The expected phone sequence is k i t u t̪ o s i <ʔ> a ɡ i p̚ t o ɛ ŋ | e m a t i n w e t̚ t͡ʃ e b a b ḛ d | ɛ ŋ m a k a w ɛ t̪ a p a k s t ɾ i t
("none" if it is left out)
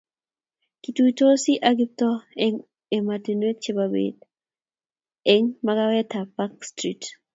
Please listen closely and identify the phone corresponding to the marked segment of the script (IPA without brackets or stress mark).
ʔ